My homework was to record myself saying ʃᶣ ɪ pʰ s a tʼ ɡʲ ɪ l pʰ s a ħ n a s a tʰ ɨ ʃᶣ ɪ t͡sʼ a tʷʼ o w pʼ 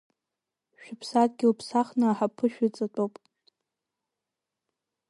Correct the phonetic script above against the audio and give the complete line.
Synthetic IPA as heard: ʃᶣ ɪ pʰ s a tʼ ɡʲ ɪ l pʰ s a χ n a ħ a pʰ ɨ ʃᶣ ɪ t͡sʼ a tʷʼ o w pʼ